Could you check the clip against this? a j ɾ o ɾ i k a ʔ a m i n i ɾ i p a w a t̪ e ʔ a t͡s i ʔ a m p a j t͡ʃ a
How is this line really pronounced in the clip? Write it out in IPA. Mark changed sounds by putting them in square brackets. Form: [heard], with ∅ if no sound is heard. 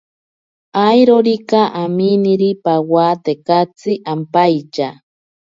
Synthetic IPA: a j ɾ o ɾ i k a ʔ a m i n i ɾ i p a w a t̪ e [k] a t͡s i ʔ a m p a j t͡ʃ a